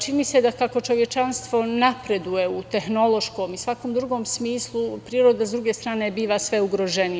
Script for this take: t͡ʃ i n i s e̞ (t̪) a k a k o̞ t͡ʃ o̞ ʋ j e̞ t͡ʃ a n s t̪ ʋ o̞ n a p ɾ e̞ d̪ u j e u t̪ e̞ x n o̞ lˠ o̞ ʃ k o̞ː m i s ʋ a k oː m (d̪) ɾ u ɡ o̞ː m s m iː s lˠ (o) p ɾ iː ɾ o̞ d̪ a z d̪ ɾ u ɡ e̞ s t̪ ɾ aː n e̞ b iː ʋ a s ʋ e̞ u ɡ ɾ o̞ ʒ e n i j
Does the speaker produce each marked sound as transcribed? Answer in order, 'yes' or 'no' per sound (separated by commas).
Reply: no, yes, no